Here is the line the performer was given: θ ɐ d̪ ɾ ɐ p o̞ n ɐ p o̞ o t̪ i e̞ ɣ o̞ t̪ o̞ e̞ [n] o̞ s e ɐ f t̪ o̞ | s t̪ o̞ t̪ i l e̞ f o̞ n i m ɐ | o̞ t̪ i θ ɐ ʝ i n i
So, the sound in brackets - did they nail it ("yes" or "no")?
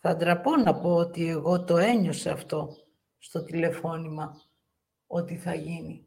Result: no